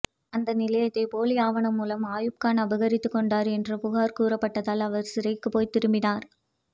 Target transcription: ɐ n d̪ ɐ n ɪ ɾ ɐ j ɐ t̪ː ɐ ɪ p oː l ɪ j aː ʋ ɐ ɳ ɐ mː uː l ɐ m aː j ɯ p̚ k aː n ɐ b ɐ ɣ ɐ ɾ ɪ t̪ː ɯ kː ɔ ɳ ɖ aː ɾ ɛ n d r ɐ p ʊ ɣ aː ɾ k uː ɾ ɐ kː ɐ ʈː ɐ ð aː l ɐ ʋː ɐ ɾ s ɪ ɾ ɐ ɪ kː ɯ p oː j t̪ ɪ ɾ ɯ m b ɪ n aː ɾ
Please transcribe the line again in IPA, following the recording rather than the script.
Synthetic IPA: ɐ n d̪ ɐ n ɪ l ɐ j ɐ t̪ː ɐ ɪ p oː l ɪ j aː ʋ ɐ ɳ ɐ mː uː l ɐ m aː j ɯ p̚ k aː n ɐ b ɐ ɣ ɐ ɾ ɪ t̪ː ɯ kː ɔ ɳ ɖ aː ɾ ɛ n d r ɐ p ʊ ɣ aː ɾ k uː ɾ ɐ pː ɐ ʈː ɐ ð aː l ɐ ʋ ɐ ɾ s ɪ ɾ ɐ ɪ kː ɯ p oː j t̪ ɪ ɾ ɯ m b ɪ n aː ɾ